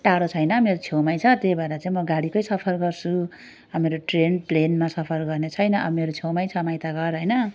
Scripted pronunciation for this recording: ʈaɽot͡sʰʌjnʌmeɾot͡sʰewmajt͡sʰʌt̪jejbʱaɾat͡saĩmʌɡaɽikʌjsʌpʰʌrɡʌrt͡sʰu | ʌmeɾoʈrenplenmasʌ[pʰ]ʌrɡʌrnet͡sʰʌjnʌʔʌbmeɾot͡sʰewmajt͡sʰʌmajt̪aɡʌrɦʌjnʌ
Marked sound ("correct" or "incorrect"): correct